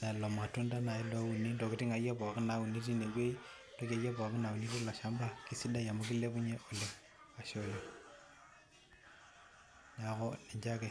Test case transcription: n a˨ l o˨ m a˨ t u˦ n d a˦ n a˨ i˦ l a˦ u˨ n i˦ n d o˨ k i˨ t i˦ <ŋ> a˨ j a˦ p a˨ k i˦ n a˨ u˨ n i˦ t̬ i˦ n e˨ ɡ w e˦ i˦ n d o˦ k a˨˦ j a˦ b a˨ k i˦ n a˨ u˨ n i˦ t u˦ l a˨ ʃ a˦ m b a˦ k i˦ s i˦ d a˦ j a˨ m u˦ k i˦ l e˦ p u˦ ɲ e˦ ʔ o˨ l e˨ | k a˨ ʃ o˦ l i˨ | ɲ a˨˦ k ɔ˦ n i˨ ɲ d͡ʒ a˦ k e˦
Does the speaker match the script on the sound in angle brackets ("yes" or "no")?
yes